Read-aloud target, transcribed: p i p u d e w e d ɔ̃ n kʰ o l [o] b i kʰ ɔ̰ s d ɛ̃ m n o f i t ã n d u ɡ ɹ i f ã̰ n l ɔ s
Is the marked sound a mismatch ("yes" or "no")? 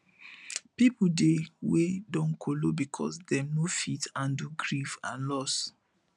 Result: no